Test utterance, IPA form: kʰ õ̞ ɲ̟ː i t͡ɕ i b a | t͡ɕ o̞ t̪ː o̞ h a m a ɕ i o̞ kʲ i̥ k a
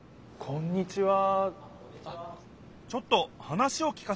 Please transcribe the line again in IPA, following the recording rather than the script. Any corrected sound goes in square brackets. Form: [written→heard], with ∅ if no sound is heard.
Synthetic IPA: kʰ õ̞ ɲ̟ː i t͡ɕ i [b→β] a | t͡ɕ o̞ t̪ː o̞ h a [m→n] a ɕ i o̞ kʲ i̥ k a

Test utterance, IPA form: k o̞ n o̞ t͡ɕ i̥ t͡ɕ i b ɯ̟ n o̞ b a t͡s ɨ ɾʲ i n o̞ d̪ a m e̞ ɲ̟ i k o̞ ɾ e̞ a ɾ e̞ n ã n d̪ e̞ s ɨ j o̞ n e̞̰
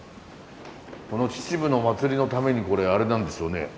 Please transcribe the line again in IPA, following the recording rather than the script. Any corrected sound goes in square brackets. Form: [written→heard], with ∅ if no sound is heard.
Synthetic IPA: k o̞ n o̞ t͡ɕ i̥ t͡ɕ i b ɯ̟ n o̞ [b→m] a t͡s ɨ ɾʲ i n o̞ [d̪→t̪] a m e̞ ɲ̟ i k o̞ ɾ e̞ a ɾ e̞ n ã n d̪ e̞ s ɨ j o̞ n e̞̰

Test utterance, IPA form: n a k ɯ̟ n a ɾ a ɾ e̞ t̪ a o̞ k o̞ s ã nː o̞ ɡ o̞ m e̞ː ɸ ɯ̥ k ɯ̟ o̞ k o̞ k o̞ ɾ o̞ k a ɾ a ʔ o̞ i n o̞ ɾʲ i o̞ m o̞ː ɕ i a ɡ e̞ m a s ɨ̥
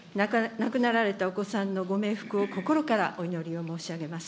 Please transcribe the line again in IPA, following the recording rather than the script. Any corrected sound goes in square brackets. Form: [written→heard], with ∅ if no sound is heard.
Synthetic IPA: n a k ɯ̟ n a ɾ a ɾ e̞ t̪ a o̞ k o̞ s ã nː o̞ ɡ o̞ m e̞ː ɸ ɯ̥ k ɯ̟ o̞ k o̞ k o̞ ɾ o̞ k a ɾ a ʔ o̞ i n o̞ ɾʲ i o̞ m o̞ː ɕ i a ɡ e̞ m a s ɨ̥

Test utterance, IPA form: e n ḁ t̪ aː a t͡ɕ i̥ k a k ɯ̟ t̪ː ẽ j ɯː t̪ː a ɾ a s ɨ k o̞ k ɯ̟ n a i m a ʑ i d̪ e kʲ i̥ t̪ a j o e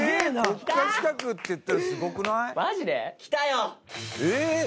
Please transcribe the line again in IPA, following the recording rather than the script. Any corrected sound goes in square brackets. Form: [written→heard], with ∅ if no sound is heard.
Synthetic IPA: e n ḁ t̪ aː a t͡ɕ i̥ k a k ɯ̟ t̪ː [ẽ→e] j [ɯː→ɯ] t̪ː a ɾ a s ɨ [k→ɡ] o̞ k ɯ̟ n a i m a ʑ i d̪ e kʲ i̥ t̪ a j o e

